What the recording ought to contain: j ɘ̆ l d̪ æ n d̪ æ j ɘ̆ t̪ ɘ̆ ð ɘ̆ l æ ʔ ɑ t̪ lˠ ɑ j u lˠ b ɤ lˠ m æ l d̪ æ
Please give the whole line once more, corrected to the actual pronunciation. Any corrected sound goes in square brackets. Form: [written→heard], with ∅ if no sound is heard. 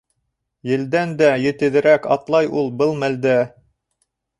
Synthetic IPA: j ɘ̆ l d̪ æ n d̪ æ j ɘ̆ t̪ ɘ̆ ð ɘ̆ [l→ɾ] æ [ʔ→k] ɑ t̪ lˠ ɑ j u lˠ b ɤ lˠ m æ l d̪ æ